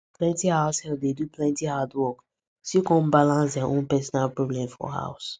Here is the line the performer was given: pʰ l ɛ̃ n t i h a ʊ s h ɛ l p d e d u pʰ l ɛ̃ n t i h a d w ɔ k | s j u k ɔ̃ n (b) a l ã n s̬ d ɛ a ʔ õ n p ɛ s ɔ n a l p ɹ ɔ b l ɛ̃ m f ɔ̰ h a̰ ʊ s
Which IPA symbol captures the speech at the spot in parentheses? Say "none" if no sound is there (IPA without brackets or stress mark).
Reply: b